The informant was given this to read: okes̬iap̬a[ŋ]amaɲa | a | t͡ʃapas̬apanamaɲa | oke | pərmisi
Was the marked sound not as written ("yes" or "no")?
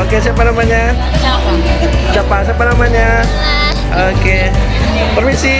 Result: yes